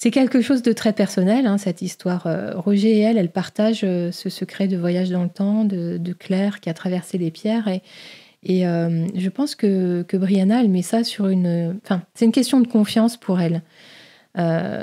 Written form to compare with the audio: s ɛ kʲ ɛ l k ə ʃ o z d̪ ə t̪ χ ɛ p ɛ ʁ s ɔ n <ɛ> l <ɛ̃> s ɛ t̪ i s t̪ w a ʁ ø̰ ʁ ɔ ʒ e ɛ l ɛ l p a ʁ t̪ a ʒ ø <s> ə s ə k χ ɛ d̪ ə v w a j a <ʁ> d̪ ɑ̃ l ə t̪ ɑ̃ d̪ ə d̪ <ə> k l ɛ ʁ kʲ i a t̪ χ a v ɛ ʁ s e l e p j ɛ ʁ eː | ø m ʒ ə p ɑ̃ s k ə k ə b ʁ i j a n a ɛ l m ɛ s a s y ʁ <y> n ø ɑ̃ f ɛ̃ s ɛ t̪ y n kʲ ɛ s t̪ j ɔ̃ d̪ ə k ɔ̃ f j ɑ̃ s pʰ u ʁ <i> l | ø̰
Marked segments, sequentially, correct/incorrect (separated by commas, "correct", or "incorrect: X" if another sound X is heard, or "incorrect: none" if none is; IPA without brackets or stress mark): correct, correct, correct, incorrect: ʒ, correct, correct, incorrect: ɛ